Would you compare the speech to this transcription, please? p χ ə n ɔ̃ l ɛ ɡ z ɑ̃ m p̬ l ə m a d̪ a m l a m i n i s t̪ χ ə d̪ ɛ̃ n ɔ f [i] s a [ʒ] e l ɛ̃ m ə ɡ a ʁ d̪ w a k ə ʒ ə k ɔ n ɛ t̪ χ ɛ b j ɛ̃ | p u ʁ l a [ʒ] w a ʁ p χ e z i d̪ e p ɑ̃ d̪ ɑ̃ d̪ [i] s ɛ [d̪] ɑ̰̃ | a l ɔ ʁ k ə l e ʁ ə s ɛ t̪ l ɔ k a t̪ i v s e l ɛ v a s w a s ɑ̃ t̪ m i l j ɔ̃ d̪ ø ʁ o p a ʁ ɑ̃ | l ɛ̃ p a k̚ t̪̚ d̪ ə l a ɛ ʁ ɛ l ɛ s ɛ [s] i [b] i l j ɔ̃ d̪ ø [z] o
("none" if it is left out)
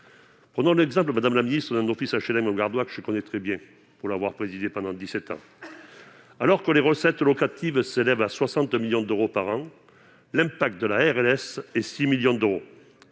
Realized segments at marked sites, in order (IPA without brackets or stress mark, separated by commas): i, ʃ, v, i, t̪, s, m, ʁ